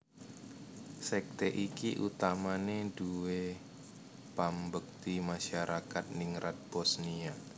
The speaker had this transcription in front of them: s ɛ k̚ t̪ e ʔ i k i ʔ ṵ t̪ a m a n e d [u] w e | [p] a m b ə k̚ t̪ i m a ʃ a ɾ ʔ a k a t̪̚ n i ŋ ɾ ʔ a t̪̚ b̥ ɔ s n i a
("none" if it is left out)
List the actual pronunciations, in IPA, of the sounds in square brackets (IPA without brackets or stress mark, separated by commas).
u, p